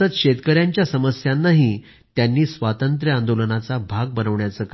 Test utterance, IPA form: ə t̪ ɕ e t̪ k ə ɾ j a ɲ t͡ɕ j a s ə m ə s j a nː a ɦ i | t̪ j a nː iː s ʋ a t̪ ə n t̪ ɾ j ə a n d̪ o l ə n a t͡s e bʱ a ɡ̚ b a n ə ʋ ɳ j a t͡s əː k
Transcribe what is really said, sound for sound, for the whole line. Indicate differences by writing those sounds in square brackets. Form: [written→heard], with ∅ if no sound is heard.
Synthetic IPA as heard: ə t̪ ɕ e t̪ k ə ɾ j a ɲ t͡ɕ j a s ə m ə s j a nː a ɦ i | t̪ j a nː iː s ʋ a t̪ ə n t̪ ɾ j ə a n d̪ o l ə n a t͡s [e→a] bʱ a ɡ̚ b [a→ə] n ə ʋ ɳ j a t͡s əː k

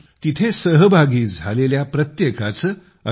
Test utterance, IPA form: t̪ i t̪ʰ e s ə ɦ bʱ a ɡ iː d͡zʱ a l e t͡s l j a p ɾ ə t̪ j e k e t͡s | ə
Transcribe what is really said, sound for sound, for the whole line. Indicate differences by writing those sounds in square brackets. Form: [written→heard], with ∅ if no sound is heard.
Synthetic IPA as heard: t̪ i t̪ʰ e s ə ɦ bʱ a ɡ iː d͡zʱ a l e [t͡s→∅] l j a p ɾ ə t̪ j e k [e→a] t͡s | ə

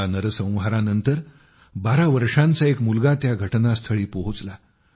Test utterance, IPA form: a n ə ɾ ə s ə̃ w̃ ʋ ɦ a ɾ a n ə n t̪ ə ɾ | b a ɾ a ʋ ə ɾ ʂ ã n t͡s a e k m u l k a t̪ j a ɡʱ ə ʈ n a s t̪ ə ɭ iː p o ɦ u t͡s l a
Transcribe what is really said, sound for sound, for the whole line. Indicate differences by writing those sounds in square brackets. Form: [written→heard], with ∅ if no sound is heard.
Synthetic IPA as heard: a n ə ɾ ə s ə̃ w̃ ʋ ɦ a ɾ a n ə n t̪ ə ɾ | b a ɾ a ʋ ə ɾ ʂ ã n t͡s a e k m u l [k→ɡ] a t̪ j a ɡʱ ə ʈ n a s [t̪→t̪ʰ] ə ɭ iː p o ɦ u t͡s l a

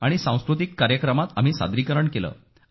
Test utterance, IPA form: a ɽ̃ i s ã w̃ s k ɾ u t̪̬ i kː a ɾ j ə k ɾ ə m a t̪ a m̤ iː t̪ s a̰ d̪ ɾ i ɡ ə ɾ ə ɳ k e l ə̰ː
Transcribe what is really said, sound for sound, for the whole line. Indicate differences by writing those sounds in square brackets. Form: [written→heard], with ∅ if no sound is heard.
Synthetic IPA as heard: a ɽ̃ i s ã w̃ s k ɾ u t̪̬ i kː a ɾ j ə k ɾ ə m a t̪ a m̤ iː [t̪→∅] s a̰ d̪ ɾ i [ɡ→k] ə ɾ ə ɳ k e l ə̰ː

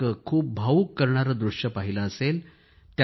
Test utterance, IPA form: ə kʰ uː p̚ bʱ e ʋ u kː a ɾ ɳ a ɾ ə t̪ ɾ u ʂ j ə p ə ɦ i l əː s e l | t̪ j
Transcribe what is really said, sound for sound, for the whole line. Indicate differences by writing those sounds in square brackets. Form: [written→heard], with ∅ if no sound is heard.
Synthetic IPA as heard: ə kʰ uː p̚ bʱ [e→a] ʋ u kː [a→ə] ɾ ɳ a ɾ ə [t̪→d̪] ɾ u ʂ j ə p [ə→a] ɦ i l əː s e l | t̪ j

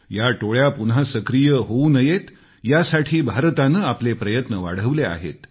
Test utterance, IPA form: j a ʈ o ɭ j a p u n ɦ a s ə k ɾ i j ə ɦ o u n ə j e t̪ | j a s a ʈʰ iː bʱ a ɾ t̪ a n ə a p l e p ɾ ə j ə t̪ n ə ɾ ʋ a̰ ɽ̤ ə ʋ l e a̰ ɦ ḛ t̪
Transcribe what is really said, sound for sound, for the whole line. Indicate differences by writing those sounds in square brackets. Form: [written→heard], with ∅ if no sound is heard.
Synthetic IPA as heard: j a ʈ o ɭ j a p u n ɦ a s ə k ɾ i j ə ɦ o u n ə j e t̪ | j a s a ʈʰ iː bʱ a ɾ t̪ a n ə a p l e p ɾ ə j ə t̪ n ə [ɾ→∅] ʋ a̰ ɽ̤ ə ʋ l e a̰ ɦ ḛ t̪

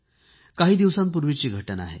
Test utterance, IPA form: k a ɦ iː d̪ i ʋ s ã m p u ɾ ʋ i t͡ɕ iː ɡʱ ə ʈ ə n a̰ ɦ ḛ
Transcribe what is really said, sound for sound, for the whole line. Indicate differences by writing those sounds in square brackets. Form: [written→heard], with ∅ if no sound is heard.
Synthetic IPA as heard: k a ɦ iː d̪ i ʋ s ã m p u ɾ ʋ i t͡ɕ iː ɡʱ ə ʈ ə n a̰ ɦ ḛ

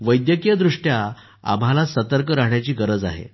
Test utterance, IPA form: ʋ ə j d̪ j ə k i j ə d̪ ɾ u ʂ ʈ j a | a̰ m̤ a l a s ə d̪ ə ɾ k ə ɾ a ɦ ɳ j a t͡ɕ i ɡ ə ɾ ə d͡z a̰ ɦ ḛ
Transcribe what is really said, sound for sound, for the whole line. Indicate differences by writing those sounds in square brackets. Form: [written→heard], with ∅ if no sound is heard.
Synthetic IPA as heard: ʋ ə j d̪ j ə k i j ə d̪ ɾ u ʂ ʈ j a | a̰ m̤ a l a s ə [d̪→t̪] ə ɾ k ə ɾ a ɦ ɳ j a t͡ɕ [i→iː] ɡ ə ɾ ə d͡z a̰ ɦ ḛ

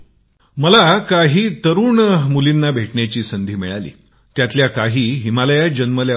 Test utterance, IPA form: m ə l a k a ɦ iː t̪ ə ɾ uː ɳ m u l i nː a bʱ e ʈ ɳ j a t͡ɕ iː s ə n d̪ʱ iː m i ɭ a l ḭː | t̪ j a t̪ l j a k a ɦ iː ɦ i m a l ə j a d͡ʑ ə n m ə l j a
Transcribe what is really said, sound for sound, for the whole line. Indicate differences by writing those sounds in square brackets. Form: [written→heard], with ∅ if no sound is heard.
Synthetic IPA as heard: m ə l a k a ɦ iː t̪ ə ɾ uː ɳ m u l i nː a bʱ e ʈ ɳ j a t͡ɕ iː s ə n d̪ʱ iː m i ɭ a l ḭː | t̪ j a t̪ l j a k a ɦ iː ɦ i m a l ə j a d͡ʑ ə n m ə l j a

